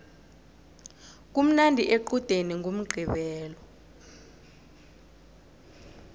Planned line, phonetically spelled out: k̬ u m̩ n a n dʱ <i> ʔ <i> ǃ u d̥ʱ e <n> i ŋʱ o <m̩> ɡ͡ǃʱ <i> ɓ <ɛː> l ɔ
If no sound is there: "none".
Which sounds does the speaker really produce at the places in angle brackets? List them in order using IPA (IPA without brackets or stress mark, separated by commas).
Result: i, e, n, m̩, i, ɛː